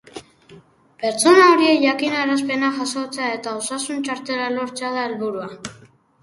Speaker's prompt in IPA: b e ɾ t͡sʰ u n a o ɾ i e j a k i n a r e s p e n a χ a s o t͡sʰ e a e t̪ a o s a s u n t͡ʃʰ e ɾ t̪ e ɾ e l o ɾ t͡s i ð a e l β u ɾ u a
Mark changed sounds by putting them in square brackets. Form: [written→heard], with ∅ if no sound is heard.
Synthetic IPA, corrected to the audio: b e ɾ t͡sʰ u n a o ɾ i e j a k i n a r [e→a] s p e n a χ a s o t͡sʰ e a e t̪ a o s a s u n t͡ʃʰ [e→a] ɾ t̪ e ɾ [e→a] l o ɾ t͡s [i→a] ð a e l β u ɾ u a

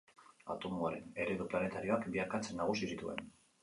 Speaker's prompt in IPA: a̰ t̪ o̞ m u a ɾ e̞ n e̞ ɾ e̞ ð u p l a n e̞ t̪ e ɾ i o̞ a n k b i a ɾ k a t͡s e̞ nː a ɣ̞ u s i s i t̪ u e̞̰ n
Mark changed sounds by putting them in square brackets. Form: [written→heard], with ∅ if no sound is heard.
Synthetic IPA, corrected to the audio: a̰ t̪ o̞ m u a ɾ e̞ n e̞ ɾ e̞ ð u p l a n e̞ t̪ [e→a] ɾ i o̞ a [n→∅] k b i a ɾ k a t͡s e̞ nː a ɣ̞ u s i s i t̪ u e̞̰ n

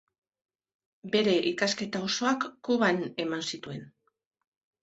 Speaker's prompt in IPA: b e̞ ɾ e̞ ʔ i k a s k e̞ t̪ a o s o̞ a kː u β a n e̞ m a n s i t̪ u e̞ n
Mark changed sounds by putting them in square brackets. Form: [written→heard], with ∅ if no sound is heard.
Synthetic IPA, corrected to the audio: b e̞ ɾ e̞ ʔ i k a s k e̞ t̪ a o s o̞ a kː u β a n e̞ m a n s i t̪ u e̞ n

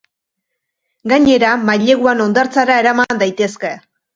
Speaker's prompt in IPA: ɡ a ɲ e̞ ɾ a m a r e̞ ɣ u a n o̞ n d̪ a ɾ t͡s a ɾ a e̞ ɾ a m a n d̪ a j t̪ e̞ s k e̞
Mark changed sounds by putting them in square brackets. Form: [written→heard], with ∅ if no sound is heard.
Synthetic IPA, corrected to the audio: ɡ a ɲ e̞ ɾ a m a [r→ʎ] e̞ ɣ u a n o̞ n d̪ a ɾ t͡s a ɾ a e̞ ɾ a m a n d̪ a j t̪ e̞ s k e̞

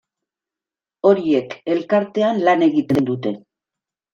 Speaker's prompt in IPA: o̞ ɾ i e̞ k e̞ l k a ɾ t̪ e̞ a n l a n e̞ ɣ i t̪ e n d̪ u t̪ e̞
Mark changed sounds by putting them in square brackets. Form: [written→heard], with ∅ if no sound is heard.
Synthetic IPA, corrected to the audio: o̞ ɾ i e̞ k e̞ l k a ɾ t̪ e̞ a n l a n e̞ ɣ i t̪ e n d̪ u t̪ e̞

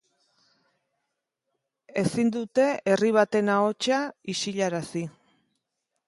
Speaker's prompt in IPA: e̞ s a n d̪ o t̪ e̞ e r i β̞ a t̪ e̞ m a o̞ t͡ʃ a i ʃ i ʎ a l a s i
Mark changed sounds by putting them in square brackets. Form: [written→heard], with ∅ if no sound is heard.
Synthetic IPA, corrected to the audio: e̞ s [a→i] n d̪ [o→u] t̪ e̞ e r i β̞ a t̪ e̞ [m→n] a o̞ t͡ʃ a i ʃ i ʎ a [l→ɾ] a s i

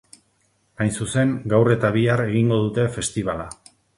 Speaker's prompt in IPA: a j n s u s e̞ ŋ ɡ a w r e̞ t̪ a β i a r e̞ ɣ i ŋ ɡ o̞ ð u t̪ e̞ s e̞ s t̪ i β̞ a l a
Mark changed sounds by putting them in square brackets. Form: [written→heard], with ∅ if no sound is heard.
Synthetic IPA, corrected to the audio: a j n s u s e̞ ŋ ɡ a w r e̞ t̪ a β i a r e̞ ɣ i ŋ ɡ o̞ ð u t̪ e̞ [s→f] e̞ s t̪ i β̞ a l a

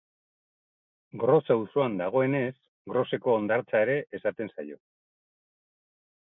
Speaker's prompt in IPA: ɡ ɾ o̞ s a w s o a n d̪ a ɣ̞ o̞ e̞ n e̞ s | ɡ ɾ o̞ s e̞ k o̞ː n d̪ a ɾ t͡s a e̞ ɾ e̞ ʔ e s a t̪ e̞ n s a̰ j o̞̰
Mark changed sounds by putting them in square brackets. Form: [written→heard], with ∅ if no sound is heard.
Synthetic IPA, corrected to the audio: ɡ ɾ o̞ s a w s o a n d̪ a ɣ̞ o̞ e̞ n e̞ s | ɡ ɾ o̞ s e̞ k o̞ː n d̪ a ɾ t͡s a e̞ ɾ e̞ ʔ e s a t̪ e̞ n s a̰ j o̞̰

